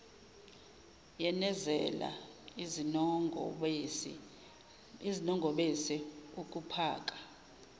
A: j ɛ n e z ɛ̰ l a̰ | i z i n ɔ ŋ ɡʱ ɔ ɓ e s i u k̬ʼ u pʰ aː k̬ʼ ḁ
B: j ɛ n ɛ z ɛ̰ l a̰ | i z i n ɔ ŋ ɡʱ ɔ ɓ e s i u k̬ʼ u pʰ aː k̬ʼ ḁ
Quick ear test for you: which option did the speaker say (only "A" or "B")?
B